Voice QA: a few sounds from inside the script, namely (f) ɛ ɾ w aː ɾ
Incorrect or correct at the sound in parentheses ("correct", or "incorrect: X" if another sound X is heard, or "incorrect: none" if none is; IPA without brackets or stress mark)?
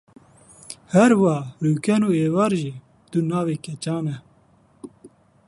incorrect: h